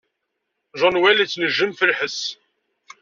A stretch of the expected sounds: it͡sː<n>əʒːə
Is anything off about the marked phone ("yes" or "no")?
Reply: no